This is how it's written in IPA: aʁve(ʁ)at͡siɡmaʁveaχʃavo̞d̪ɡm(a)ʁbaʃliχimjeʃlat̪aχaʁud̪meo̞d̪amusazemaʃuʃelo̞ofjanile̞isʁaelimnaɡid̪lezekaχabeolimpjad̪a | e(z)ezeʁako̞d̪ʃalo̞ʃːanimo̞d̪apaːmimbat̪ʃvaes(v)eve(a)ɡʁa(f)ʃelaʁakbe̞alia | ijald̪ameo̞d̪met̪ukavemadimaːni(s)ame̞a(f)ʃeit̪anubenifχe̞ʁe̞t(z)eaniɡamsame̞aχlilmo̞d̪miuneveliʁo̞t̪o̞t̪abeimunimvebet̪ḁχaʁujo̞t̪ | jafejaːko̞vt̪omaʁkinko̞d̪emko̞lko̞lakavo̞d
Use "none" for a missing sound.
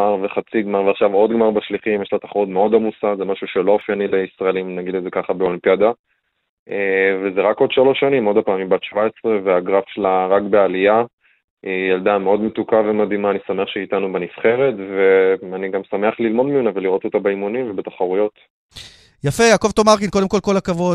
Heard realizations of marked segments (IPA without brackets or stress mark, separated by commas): χ, a, v, ʁ, a, f, s, χ, v